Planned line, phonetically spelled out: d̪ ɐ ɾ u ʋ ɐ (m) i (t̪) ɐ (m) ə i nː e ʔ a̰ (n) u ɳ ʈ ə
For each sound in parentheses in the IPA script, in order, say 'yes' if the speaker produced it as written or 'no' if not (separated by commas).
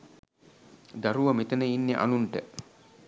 yes, yes, no, yes